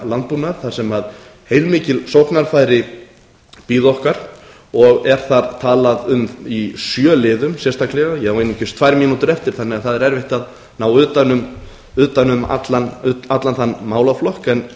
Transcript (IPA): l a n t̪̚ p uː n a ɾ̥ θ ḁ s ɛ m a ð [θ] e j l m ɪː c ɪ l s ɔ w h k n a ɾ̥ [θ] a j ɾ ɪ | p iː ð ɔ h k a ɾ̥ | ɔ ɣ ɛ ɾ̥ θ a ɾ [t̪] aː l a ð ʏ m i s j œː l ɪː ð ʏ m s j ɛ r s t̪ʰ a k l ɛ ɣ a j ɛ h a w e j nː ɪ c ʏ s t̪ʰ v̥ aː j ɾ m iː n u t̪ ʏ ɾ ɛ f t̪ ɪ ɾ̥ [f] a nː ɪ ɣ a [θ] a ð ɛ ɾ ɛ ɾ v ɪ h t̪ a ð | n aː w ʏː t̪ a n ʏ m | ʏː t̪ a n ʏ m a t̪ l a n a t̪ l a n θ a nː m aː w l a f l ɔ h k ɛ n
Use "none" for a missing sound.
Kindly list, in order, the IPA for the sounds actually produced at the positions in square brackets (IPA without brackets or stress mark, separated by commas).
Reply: h, f, t̪ʰ, θ, θ